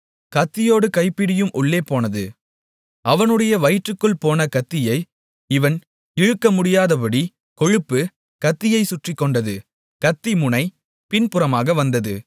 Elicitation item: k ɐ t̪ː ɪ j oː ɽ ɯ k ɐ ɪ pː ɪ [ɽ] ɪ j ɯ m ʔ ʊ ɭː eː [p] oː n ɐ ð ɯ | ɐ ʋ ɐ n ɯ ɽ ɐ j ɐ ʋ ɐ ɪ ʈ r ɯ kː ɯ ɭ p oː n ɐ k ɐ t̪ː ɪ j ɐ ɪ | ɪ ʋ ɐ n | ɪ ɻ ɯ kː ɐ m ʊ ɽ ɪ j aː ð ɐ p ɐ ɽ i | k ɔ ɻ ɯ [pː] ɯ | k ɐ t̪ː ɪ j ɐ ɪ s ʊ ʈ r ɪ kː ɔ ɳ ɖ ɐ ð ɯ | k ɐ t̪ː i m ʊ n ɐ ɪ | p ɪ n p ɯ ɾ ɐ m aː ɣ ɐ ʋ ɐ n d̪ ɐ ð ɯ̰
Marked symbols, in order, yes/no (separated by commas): yes, yes, yes